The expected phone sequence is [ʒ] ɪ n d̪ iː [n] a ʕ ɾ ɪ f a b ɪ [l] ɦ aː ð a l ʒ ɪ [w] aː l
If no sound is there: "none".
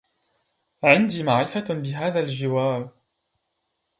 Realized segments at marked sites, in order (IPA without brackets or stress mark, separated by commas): ʕ, m, none, w